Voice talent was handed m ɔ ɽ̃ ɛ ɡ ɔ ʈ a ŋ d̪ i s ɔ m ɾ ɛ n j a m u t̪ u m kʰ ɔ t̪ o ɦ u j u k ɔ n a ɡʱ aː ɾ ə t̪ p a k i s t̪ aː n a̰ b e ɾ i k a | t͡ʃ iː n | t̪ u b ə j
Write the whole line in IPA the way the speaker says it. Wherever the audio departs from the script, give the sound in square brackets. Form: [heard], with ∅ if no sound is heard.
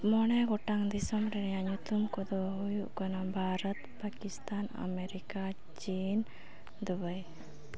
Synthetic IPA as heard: m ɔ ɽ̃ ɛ ɡ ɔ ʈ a ŋ d̪ i s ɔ m ɾ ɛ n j a [ɲ] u t̪ u m [k] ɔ [d̪] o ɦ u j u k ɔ n a [bʱ] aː ɾ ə t̪ p a k i s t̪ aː n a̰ [m] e ɾ i k a | t͡ʃ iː n | [d̪] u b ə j